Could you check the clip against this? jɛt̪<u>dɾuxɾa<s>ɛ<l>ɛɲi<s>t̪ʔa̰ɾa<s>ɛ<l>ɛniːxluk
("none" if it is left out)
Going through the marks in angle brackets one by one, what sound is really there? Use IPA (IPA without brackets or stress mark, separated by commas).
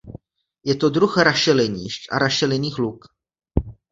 o, ʃ, l, ʃ, ʃ, l